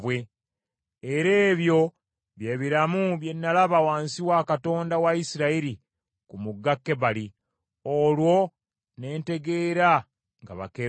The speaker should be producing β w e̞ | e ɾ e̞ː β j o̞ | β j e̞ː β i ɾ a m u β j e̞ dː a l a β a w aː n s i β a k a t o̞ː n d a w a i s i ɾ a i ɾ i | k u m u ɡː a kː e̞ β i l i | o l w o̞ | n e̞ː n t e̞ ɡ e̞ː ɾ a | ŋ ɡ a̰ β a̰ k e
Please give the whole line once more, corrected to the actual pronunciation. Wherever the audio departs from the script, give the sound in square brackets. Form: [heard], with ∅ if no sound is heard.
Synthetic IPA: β w e̞ | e ɾ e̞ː β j o̞ | β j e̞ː β i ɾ a m u β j e̞ [nː] a l a β a w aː n s i [w] a k a t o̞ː n d a w a i s i ɾ a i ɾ i | k u m u ɡː a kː e̞ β [a] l i | o l w o̞ | n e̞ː n t e̞ ɡ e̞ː ɾ a | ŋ ɡ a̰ β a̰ k e